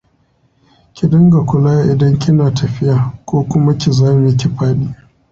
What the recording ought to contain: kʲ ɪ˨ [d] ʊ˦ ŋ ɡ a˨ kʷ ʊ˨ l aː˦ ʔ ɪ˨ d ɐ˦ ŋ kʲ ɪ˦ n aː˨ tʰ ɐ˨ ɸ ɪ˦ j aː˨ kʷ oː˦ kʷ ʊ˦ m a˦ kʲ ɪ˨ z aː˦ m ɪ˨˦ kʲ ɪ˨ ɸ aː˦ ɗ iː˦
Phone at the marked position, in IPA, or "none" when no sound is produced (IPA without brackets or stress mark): d